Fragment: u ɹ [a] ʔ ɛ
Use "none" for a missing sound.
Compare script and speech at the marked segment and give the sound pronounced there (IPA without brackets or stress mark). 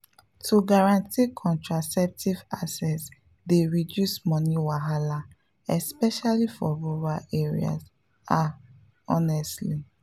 a